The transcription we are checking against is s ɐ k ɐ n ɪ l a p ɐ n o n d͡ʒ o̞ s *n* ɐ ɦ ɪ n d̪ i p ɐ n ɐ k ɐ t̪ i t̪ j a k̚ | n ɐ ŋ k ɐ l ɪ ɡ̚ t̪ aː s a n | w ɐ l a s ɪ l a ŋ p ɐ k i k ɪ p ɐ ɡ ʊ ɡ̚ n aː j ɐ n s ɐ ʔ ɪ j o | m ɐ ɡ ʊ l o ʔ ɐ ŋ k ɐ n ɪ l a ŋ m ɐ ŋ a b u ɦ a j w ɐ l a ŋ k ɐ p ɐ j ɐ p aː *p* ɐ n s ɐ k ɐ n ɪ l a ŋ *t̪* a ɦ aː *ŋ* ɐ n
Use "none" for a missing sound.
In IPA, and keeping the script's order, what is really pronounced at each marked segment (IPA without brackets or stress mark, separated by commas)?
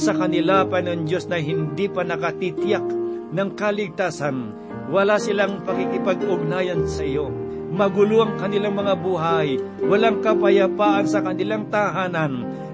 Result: n, ʔ, t̪, n